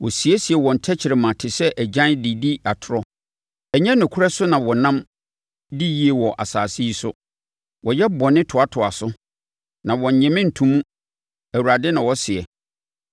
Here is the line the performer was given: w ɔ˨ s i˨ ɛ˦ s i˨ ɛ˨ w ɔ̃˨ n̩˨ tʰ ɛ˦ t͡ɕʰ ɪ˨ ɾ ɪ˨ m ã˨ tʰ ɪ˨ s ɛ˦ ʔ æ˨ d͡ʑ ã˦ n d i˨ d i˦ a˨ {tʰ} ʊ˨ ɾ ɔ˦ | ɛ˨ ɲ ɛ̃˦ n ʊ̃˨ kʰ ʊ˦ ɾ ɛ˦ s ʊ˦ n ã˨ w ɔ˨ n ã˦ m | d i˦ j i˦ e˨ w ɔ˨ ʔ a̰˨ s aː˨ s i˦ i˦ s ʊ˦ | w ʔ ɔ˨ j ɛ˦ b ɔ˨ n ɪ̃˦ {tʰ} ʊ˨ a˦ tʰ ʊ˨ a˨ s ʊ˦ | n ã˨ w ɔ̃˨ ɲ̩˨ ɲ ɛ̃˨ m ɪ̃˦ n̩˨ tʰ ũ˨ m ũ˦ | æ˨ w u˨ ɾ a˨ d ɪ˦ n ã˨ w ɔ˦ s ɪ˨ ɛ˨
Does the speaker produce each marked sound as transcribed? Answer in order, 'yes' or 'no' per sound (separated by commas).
yes, yes